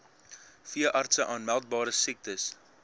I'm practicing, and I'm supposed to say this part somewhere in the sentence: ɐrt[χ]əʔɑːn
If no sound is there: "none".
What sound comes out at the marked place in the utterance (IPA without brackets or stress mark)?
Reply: s